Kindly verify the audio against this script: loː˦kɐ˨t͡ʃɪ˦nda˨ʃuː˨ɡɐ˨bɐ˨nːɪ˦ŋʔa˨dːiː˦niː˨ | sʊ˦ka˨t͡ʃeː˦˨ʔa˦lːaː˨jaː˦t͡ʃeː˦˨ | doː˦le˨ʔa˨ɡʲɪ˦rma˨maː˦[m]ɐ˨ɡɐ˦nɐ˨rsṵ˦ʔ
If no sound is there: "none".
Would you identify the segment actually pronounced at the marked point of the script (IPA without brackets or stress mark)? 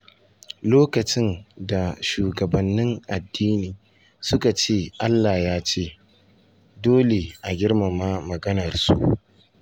m